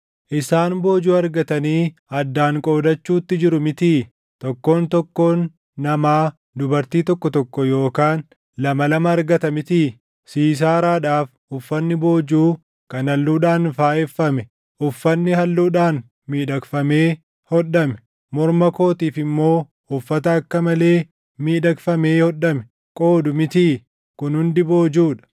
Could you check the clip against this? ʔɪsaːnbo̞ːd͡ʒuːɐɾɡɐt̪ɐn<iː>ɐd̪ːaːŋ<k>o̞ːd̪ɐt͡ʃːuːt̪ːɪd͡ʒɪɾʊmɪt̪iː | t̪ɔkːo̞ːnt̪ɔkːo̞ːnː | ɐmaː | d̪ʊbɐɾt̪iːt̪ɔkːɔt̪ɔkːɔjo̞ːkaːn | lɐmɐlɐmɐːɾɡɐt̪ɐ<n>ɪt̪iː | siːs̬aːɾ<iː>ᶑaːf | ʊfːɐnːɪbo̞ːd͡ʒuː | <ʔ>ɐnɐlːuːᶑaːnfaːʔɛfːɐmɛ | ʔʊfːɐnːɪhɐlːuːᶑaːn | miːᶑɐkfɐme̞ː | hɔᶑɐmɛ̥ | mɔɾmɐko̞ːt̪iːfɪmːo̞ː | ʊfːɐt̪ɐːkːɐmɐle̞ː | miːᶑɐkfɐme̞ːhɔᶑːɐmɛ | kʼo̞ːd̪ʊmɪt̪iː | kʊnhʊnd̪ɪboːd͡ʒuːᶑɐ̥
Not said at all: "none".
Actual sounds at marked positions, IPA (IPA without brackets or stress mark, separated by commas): iː, kʼ, m, aː, k